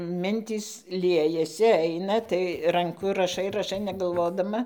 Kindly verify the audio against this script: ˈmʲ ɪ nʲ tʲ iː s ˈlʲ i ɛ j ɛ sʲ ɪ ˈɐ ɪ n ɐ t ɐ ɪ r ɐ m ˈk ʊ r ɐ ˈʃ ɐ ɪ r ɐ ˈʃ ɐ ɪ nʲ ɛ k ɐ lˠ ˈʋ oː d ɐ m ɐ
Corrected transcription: ˈmʲ ɪ nʲ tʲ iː s ˈlʲ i ɛ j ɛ sʲ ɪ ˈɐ ɪ n ɐ t ɐ ɪ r ɐ ŋ ˈk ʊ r ɐ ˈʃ ɐ ɪ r ɐ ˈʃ ɐ ɪ nʲ ɛ ɡ ɐ lˠ ˈʋ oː d ɐ m ɐ